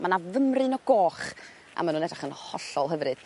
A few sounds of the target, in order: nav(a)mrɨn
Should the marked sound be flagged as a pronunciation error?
yes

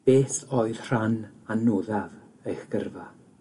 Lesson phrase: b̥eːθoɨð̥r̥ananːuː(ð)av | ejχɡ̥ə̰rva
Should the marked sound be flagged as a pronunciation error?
no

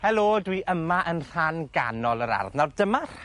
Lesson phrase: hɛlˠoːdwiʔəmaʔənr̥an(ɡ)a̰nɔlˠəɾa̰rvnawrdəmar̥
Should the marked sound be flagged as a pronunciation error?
no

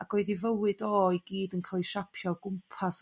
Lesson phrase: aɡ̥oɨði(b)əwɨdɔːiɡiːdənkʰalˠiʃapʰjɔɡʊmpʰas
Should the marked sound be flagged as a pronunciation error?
yes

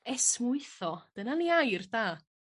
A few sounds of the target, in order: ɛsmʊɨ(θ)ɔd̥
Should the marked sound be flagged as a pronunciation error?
no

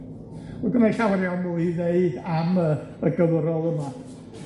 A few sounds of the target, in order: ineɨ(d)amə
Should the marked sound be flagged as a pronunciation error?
no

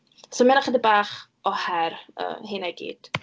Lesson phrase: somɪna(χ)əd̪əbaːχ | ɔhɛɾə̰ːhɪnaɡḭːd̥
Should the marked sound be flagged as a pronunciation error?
no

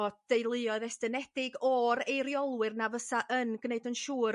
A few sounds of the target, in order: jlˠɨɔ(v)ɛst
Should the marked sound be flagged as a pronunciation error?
yes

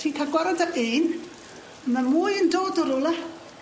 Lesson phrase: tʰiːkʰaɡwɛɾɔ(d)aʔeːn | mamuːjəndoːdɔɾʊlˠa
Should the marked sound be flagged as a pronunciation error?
no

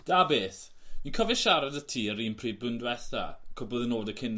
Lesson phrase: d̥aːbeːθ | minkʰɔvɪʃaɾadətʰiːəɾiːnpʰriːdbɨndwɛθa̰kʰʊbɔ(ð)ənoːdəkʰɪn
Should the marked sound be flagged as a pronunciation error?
no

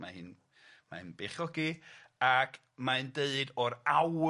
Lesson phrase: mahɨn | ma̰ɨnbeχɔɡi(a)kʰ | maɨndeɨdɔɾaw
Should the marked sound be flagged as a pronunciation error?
no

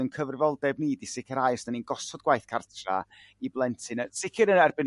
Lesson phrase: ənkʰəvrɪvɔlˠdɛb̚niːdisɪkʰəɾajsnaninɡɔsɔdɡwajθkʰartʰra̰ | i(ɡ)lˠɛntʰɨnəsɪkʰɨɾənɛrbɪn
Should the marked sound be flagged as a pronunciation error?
yes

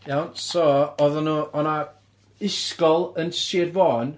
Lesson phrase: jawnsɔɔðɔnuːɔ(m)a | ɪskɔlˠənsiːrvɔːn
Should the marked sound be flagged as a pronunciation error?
yes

